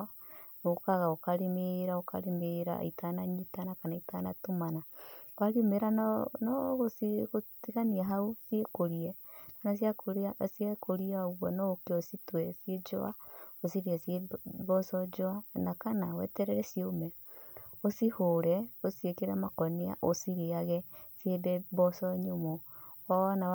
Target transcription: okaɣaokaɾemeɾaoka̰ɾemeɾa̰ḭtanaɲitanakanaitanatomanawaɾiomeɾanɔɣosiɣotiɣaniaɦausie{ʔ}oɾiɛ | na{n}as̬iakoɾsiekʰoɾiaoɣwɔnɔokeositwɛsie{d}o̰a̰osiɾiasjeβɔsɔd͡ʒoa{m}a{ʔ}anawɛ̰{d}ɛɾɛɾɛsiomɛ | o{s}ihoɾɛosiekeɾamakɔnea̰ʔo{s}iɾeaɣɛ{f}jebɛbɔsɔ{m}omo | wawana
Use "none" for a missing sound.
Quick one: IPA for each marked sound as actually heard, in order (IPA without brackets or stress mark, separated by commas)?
k, n, d͡ʒ, n, k, t, s, s, s, ɲ